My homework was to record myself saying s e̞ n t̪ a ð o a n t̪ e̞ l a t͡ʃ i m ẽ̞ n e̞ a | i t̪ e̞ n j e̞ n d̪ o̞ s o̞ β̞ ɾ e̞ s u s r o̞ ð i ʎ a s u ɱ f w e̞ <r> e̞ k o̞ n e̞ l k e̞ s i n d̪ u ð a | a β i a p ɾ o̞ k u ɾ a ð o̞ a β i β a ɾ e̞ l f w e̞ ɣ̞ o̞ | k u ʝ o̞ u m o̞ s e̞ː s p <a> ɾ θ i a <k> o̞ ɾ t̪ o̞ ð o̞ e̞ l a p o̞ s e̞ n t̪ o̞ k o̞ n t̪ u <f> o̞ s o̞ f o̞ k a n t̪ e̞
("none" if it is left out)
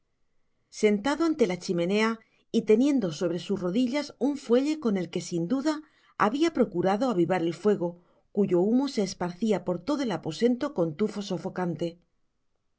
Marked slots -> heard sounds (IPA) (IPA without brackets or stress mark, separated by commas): ʎ, a, p, f